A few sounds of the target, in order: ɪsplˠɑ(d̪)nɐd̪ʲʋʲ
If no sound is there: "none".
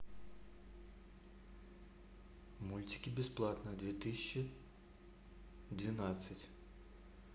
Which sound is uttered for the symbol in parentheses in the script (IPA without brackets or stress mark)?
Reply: t̪